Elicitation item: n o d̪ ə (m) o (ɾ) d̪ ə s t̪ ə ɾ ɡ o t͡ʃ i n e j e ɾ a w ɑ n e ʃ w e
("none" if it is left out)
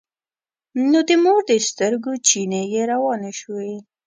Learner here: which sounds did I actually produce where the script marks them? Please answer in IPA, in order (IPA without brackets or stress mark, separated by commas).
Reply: m, ɾ